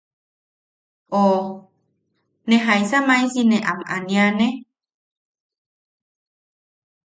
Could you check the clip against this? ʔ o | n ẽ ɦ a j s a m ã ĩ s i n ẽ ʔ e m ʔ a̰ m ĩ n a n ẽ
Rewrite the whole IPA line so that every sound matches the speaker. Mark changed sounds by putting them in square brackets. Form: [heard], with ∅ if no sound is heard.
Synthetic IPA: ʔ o | n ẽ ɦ a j s a m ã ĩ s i n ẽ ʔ [a] m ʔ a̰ [n] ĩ [∅] a n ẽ